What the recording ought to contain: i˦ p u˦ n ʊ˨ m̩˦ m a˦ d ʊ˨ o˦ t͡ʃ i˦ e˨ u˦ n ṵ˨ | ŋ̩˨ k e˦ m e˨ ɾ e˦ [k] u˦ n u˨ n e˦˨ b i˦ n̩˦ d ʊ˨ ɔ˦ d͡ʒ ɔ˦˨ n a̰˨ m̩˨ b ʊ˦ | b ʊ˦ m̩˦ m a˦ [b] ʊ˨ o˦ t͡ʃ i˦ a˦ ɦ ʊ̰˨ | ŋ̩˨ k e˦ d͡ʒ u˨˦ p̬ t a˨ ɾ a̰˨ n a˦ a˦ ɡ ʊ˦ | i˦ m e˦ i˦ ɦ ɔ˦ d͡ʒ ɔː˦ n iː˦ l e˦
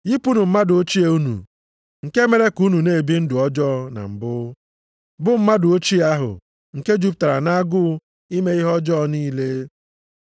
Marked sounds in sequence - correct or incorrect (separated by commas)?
correct, incorrect